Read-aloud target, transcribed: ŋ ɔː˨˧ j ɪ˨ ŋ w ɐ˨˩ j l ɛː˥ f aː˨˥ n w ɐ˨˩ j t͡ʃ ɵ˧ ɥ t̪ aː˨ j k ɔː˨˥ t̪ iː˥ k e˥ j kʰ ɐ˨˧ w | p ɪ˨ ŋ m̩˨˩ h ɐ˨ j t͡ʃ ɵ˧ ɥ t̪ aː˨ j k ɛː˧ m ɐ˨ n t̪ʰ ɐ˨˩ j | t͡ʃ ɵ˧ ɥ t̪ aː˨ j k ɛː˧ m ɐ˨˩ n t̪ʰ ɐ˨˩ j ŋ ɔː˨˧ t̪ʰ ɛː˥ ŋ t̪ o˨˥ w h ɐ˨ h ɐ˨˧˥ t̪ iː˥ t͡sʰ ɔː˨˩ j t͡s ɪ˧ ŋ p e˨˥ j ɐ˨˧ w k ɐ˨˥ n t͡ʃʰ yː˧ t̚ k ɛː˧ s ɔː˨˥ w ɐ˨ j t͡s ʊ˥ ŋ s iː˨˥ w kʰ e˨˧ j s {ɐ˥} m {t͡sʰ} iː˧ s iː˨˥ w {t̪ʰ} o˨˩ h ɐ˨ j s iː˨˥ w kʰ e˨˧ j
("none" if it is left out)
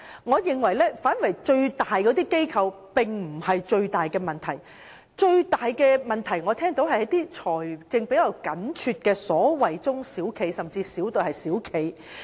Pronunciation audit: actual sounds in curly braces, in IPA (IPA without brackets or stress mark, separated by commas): ɐ˨, t͡s, t̪